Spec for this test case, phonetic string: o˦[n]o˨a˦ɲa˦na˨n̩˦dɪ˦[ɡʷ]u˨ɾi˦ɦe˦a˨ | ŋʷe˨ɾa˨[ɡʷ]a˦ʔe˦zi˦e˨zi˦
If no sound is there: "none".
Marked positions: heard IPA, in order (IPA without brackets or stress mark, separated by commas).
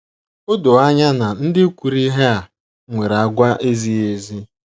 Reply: d, kʷ, ɡʷ